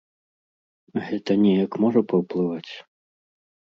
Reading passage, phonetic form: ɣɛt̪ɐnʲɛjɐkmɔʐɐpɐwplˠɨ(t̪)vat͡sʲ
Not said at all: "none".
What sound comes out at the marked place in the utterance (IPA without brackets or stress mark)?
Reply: none